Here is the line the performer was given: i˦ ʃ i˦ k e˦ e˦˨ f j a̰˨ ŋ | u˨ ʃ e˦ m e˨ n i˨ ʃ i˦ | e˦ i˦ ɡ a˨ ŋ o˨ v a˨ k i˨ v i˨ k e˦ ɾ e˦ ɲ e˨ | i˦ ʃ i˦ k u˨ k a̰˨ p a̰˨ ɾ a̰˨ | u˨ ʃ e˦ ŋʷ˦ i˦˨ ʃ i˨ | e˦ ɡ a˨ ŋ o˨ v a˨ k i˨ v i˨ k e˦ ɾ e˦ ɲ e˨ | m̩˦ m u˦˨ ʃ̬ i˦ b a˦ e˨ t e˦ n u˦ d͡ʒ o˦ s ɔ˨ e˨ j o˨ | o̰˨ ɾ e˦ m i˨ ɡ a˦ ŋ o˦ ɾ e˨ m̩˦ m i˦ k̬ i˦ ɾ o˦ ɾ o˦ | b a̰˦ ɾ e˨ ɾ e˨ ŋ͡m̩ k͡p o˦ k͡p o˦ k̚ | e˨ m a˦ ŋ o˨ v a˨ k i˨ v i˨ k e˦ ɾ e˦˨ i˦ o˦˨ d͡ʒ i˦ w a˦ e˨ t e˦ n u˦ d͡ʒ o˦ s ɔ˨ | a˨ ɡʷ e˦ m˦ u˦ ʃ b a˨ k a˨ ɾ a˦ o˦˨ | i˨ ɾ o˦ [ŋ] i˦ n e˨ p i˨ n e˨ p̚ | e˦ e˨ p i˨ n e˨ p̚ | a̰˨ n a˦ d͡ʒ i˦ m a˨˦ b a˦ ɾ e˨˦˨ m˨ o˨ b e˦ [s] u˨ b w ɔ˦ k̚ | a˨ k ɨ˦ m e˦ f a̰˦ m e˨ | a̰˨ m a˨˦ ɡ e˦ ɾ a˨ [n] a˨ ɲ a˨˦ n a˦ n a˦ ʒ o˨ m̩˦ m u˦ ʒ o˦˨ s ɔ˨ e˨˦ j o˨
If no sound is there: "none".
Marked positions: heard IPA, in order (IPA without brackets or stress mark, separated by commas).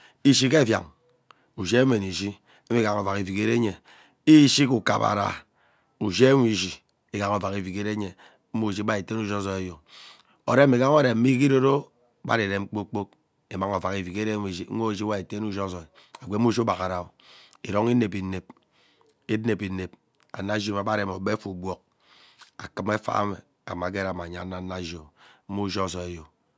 ŋ, f, m